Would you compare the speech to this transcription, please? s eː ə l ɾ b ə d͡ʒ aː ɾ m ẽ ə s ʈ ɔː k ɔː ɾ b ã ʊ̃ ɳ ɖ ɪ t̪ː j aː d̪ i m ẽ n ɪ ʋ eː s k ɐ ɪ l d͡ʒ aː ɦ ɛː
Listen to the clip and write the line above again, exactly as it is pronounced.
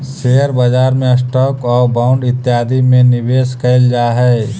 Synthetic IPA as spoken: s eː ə ɾ b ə d͡ʒ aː ɾ m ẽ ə s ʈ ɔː k ɔː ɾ b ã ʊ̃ ɳ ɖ ɪ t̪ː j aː d̪ i m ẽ n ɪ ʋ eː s k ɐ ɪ l d͡ʒ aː ɦ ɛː